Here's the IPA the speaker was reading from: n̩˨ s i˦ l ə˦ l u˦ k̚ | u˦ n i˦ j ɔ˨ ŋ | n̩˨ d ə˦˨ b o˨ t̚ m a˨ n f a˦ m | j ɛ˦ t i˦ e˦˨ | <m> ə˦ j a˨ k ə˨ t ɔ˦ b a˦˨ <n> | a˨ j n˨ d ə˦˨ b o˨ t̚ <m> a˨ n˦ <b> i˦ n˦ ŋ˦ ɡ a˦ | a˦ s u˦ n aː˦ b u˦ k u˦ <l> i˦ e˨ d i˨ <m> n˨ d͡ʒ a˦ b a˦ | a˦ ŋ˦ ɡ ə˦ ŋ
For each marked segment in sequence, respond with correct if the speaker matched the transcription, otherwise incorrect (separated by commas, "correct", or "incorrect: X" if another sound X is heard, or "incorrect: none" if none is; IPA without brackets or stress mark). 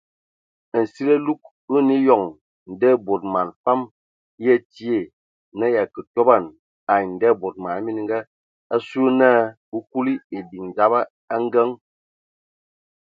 incorrect: n, correct, correct, incorrect: m, correct, incorrect: ŋ